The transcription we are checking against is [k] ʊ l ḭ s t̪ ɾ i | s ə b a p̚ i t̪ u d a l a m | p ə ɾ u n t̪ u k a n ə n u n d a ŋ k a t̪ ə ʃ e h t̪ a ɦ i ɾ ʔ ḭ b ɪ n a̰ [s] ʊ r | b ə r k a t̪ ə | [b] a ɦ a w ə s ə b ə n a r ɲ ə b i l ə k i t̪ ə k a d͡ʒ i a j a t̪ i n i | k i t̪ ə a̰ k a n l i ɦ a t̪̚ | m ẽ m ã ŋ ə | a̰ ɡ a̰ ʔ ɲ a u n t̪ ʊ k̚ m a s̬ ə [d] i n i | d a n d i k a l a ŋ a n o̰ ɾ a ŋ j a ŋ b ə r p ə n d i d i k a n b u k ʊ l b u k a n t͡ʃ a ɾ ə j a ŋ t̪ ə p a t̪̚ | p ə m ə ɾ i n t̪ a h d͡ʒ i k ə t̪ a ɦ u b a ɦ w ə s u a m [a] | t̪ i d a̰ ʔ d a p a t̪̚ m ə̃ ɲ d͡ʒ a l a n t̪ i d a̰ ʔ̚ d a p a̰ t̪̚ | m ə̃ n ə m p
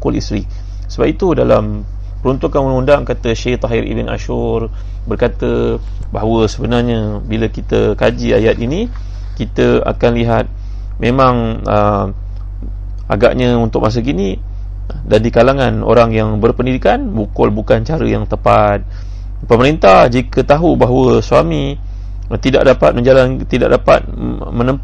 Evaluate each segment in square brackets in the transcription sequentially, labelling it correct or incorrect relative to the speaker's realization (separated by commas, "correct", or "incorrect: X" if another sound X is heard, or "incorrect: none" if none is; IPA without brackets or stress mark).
correct, incorrect: ʃ, correct, incorrect: ɡ, incorrect: i